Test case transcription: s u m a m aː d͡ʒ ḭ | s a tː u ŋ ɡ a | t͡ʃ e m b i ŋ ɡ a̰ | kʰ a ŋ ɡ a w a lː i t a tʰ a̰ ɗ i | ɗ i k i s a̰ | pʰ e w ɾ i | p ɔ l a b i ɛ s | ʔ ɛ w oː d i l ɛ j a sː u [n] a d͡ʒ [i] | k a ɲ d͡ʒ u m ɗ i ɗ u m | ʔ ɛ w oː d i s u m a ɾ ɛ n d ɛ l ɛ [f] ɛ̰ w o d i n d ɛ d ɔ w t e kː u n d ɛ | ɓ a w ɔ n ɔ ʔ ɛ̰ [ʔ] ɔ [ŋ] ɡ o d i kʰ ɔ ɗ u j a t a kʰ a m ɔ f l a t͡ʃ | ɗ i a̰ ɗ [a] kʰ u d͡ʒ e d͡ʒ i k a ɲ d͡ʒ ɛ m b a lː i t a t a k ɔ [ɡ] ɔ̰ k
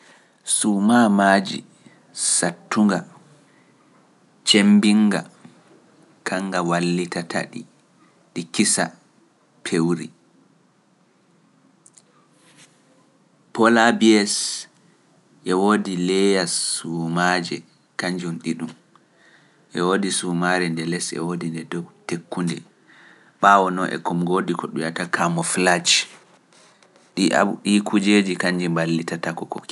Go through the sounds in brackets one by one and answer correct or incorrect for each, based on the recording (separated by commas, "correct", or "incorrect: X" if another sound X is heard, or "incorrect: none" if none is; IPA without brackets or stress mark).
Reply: incorrect: m, incorrect: ɛ, incorrect: s, incorrect: k, incorrect: m, incorrect: i, incorrect: k